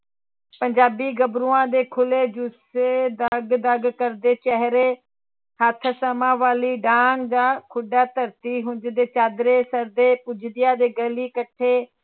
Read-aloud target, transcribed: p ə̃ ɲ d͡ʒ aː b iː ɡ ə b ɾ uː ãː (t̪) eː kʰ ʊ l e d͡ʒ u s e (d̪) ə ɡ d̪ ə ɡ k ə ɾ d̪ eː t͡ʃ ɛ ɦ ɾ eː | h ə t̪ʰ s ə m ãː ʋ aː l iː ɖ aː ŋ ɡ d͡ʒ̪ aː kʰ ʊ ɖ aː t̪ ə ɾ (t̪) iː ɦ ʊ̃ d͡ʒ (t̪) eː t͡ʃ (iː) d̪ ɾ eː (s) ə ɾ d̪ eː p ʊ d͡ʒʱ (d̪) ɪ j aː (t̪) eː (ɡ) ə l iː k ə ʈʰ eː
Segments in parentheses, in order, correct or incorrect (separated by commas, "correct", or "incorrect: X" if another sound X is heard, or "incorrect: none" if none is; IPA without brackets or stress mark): incorrect: d̪, correct, correct, incorrect: d̪, incorrect: aː, correct, correct, incorrect: d̪, correct